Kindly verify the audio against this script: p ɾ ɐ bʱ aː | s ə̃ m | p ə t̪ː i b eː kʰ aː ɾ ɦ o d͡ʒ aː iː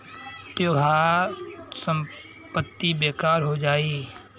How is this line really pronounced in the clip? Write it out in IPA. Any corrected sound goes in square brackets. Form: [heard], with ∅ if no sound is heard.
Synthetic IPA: p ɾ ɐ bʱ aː | s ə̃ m | p ə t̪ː i b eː [k] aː ɾ ɦ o d͡ʒ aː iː